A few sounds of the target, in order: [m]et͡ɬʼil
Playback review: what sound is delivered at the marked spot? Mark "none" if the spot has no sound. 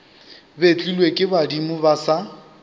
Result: b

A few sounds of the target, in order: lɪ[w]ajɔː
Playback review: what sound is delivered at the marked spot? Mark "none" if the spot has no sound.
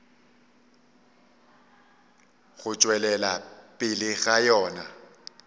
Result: ɣ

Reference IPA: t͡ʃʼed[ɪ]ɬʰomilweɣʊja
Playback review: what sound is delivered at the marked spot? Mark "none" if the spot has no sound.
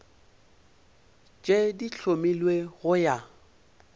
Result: i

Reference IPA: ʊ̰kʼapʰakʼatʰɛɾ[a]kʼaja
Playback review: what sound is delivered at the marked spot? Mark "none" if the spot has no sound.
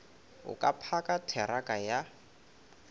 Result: a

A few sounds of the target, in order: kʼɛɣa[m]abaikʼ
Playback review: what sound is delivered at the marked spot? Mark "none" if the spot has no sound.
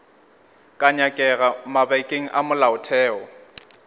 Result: m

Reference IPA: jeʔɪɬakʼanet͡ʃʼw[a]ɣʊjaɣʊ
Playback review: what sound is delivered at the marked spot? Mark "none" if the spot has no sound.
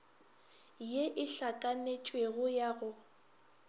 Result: e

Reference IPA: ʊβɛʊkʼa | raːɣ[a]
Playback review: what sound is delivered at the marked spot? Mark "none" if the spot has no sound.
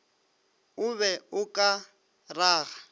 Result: a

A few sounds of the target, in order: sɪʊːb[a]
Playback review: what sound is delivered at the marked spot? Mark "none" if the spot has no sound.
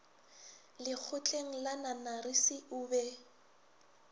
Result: ɛ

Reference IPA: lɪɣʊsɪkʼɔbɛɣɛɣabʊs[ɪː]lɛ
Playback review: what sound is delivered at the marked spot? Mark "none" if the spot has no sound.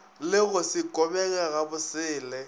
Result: ɪː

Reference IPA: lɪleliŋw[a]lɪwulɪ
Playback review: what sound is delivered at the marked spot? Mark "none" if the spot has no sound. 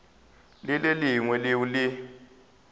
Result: ɛ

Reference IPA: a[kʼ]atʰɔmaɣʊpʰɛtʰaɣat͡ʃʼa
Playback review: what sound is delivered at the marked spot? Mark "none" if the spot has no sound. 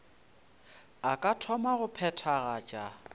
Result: kʼ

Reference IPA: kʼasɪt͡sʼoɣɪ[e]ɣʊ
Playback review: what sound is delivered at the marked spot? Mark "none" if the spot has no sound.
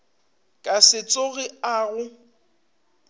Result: a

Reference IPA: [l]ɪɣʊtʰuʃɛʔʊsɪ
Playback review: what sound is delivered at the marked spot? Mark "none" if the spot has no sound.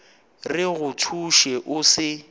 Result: r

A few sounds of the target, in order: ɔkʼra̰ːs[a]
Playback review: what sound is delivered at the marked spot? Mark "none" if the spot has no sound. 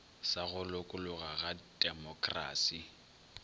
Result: i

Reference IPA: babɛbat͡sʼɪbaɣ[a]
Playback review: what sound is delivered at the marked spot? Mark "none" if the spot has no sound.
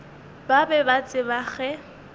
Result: ɛ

